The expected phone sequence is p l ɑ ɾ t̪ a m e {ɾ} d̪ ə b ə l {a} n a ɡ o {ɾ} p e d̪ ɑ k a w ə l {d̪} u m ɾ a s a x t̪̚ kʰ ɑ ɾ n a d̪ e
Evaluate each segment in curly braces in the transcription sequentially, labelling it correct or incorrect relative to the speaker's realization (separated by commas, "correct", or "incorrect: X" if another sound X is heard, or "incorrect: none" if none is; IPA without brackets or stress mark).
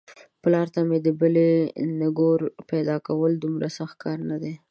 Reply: incorrect: none, incorrect: e, correct, correct